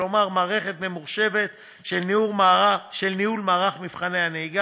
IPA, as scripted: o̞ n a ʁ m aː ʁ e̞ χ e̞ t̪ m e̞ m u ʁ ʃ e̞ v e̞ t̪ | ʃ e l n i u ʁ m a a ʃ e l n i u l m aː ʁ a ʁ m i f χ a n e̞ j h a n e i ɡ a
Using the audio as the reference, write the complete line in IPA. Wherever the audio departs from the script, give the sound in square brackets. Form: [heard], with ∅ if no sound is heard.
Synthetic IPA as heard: o̞ [m] a ʁ m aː ʁ e̞ χ e̞ t̪ m e̞ m u ʁ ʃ e̞ v e̞ t̪ | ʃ e l n i u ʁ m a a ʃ e l n i u l m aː ʁ a [χ] m i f χ a n e̞ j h a n e i ɡ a